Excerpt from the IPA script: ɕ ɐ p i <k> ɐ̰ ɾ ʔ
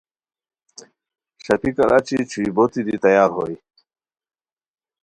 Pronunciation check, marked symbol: correct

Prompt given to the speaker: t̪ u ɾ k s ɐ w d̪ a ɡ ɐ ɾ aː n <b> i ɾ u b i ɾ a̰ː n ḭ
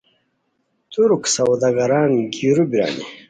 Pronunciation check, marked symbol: incorrect: ɡ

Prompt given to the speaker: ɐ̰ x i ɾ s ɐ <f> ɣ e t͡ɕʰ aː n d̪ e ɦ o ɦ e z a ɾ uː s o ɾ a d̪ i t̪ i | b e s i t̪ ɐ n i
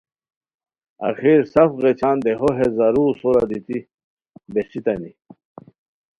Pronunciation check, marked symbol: correct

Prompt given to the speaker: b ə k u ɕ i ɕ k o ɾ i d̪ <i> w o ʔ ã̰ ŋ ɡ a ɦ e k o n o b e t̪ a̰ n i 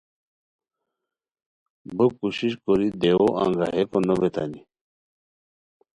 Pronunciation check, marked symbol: incorrect: e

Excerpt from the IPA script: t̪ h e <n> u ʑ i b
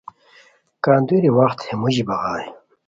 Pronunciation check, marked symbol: incorrect: m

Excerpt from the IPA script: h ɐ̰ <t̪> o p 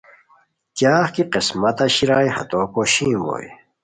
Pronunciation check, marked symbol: correct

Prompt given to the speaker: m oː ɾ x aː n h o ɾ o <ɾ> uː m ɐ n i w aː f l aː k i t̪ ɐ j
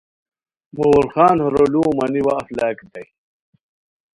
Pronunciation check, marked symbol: incorrect: l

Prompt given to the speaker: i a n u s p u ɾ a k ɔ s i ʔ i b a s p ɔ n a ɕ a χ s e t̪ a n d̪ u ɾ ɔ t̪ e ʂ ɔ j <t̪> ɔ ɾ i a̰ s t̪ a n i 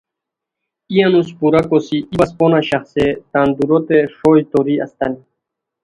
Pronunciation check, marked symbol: correct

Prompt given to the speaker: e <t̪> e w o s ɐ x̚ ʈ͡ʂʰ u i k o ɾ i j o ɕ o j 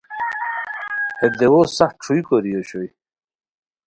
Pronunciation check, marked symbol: incorrect: d̪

